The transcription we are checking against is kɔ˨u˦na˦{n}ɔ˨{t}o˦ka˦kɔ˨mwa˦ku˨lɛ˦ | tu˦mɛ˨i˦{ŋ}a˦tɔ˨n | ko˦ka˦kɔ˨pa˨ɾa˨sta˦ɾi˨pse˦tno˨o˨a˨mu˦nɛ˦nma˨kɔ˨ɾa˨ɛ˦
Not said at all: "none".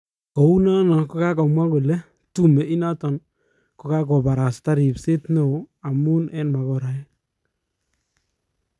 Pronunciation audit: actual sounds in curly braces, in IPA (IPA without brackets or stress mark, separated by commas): n, k, n